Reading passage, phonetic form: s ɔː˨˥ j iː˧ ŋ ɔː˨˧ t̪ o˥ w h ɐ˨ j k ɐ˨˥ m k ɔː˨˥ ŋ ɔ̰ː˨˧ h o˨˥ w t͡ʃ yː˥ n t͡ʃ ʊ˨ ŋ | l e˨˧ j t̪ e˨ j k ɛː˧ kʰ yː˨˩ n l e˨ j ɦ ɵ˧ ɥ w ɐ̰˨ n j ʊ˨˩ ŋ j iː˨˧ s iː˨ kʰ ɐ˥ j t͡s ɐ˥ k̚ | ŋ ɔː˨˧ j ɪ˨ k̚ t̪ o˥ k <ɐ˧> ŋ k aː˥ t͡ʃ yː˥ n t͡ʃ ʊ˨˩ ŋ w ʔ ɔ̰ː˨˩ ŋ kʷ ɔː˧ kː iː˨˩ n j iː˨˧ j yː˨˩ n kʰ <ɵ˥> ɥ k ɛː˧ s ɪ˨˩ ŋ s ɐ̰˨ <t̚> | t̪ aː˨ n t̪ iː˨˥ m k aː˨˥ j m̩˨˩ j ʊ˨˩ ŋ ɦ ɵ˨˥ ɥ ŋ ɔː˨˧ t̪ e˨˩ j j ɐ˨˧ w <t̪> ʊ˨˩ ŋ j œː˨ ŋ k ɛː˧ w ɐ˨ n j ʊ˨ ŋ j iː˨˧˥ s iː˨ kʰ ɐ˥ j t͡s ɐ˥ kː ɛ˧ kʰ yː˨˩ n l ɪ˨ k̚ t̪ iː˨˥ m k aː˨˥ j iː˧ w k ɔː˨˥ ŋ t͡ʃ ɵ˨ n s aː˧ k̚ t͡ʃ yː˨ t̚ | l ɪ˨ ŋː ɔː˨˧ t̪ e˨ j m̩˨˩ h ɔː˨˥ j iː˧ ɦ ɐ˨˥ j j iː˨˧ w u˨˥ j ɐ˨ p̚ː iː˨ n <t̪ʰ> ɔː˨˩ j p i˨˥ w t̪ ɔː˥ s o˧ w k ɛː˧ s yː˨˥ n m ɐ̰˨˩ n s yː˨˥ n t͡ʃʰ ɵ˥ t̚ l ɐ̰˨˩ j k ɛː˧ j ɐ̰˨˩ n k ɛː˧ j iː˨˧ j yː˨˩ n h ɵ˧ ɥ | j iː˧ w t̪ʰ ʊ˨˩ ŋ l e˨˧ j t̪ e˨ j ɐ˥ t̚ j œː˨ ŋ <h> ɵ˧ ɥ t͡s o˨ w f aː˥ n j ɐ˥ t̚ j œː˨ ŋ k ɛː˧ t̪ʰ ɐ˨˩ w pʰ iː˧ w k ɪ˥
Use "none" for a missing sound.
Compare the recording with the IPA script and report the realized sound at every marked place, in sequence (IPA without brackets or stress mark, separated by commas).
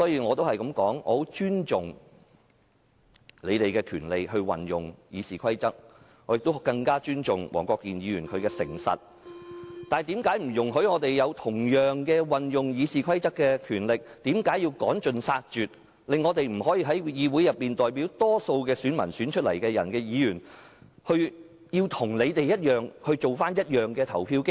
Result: ɐ˧, ɵ˨˧, t̚, t̪ʰ, t̪, h